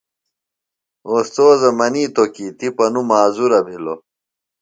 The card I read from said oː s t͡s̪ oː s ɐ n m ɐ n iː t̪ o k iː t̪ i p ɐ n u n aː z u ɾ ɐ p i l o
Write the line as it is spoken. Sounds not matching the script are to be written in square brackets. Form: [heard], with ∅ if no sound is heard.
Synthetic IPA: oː s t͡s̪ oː [z] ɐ [∅] m ɐ n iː t̪ o k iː t̪ i p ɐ n u [m] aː z u ɾ ɐ [b] i l o